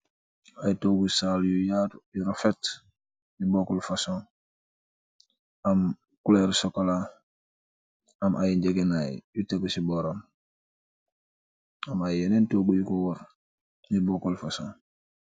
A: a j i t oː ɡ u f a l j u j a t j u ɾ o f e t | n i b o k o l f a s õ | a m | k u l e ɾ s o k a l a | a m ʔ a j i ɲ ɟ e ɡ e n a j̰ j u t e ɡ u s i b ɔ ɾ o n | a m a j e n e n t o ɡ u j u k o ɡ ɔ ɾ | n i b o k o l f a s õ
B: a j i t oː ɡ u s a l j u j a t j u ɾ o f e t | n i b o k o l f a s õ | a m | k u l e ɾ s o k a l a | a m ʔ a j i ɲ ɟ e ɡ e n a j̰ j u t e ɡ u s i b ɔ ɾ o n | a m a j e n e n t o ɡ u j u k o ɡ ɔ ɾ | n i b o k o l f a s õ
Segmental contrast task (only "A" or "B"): B